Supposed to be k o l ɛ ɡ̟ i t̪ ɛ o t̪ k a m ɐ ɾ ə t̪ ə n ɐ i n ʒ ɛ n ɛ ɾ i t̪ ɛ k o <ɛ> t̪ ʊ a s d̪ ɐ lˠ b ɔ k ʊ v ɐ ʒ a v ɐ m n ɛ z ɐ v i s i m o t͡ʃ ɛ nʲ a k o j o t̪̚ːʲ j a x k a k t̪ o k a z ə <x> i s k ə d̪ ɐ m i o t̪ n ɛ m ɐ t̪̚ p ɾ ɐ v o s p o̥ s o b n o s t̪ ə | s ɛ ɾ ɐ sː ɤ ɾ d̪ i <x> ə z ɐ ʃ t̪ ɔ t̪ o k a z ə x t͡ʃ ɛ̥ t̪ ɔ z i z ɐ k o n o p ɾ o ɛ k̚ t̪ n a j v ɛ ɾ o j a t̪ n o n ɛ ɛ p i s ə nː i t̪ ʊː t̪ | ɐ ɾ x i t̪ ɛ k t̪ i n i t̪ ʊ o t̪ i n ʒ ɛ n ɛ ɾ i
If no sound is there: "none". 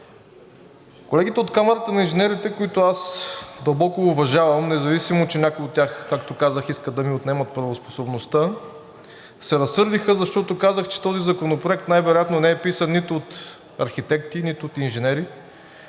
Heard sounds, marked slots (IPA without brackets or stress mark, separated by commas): i, x, x